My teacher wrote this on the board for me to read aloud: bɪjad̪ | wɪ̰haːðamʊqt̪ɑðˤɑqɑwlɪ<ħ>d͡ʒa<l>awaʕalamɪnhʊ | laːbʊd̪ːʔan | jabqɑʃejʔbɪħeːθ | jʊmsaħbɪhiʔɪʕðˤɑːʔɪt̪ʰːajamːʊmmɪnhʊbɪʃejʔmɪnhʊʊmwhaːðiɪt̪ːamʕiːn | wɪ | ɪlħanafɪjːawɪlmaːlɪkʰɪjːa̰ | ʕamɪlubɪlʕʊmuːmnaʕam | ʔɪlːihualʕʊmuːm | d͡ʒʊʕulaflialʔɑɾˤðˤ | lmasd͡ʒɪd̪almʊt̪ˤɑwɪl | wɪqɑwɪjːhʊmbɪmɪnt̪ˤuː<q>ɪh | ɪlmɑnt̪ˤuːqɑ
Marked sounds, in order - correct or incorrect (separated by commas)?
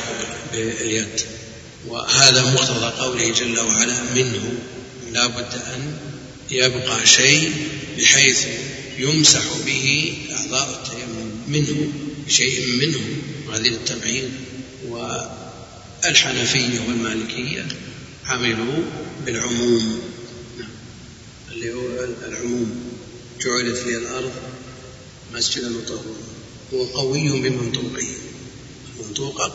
incorrect, incorrect, correct